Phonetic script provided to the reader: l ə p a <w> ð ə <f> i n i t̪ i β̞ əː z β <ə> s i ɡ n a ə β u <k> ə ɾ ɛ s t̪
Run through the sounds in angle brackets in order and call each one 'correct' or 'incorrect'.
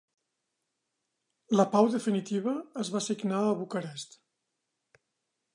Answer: correct, correct, incorrect: a, correct

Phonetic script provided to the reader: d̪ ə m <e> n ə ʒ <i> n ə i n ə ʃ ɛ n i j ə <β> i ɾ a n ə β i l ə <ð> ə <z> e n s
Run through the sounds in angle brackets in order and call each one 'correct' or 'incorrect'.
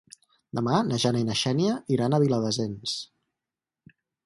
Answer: incorrect: a, incorrect: a, incorrect: none, correct, correct

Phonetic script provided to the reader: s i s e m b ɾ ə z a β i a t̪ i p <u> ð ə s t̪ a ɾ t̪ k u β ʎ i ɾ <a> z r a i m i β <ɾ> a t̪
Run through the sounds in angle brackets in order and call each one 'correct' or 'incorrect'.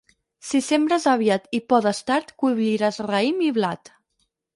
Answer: incorrect: ɔ, correct, incorrect: l

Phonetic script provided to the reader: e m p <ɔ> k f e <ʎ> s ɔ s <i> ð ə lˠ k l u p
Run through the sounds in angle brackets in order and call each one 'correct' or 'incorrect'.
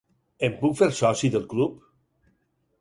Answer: incorrect: u, incorrect: ɾ, correct

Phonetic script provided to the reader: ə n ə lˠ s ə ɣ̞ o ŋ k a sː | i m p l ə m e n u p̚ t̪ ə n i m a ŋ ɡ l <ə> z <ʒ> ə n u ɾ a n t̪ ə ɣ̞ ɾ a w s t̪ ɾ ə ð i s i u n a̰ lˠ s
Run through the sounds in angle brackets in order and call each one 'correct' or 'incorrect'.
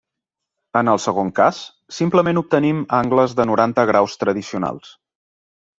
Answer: correct, incorrect: ð

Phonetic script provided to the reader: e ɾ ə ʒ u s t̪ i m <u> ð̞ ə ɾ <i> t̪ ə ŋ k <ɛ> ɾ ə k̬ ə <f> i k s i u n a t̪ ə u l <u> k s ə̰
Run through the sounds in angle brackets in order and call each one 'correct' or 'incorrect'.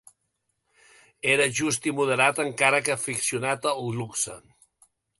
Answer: correct, incorrect: a, incorrect: a, correct, correct

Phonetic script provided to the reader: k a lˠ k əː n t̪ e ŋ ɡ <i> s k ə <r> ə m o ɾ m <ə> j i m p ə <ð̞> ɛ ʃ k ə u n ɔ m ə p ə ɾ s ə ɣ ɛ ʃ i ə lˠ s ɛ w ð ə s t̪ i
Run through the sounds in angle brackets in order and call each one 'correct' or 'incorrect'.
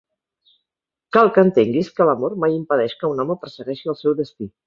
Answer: correct, incorrect: l, incorrect: a, correct

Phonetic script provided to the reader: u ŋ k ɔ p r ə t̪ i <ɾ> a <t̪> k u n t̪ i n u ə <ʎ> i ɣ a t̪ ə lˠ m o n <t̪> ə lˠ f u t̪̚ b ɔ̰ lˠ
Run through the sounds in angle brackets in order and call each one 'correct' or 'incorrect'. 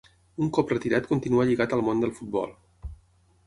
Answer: correct, correct, correct, incorrect: d̪

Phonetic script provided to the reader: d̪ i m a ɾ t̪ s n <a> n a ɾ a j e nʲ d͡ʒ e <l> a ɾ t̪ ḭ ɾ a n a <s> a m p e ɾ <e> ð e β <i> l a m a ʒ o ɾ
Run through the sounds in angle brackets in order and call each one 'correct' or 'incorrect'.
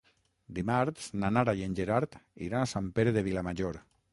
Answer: correct, incorrect: ɾ, correct, correct, correct

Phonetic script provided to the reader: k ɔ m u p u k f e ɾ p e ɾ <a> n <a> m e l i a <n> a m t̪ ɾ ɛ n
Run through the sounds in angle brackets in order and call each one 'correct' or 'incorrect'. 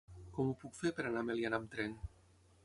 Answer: correct, correct, correct

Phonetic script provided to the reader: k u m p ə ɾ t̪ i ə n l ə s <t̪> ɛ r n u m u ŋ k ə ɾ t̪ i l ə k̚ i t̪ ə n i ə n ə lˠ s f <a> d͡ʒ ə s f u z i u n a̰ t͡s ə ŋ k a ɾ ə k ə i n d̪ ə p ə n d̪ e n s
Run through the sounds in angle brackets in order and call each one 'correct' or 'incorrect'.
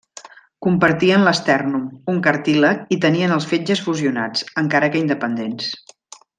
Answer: correct, incorrect: e

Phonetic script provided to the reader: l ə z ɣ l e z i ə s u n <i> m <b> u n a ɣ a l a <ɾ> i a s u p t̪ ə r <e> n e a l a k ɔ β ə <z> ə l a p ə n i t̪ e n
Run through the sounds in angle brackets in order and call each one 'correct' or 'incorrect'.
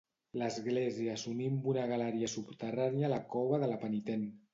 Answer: correct, correct, correct, incorrect: a, incorrect: ð

